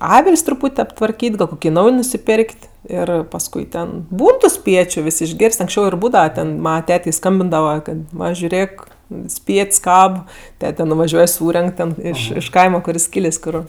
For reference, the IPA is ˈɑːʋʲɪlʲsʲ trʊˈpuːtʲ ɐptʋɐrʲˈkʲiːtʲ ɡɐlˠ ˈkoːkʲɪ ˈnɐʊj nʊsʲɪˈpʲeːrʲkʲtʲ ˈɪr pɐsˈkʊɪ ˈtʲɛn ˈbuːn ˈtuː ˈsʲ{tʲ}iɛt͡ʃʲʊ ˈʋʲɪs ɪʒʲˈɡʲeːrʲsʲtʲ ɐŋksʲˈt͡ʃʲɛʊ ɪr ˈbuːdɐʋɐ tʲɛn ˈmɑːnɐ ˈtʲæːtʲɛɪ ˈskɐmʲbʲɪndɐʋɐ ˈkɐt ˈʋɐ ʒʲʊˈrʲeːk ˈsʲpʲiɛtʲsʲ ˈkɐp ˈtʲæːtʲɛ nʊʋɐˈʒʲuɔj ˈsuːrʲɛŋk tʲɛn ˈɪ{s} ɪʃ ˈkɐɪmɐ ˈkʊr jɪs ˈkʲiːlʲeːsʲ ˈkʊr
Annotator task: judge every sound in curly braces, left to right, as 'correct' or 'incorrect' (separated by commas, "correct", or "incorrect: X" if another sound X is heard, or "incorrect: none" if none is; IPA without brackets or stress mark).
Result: incorrect: pʲ, incorrect: ʃ